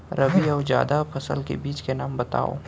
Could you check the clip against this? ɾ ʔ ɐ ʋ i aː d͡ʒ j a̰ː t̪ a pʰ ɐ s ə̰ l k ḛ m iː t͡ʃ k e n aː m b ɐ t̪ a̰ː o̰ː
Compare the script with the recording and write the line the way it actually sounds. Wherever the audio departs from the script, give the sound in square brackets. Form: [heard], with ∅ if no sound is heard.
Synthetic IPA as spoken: ɾ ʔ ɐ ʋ i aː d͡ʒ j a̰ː [d̪] a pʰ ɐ s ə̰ l k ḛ [b] iː t͡ʃ k e n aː m b ɐ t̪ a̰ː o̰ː